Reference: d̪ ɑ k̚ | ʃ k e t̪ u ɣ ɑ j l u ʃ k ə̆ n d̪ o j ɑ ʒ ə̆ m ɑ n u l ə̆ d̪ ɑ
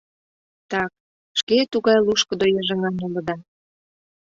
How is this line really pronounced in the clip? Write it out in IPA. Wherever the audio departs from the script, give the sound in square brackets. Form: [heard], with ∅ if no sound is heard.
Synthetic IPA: [t̪] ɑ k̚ | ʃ k e t̪ u ɣ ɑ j l u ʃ k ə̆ [∅] d̪ o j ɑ ʒ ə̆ [ŋ] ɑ n u l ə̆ d̪ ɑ